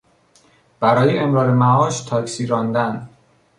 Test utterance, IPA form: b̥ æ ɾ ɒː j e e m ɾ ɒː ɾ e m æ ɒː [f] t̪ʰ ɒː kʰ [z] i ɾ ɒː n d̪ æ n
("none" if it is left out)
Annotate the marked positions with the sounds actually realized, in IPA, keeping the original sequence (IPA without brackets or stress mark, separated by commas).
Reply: ʃ, s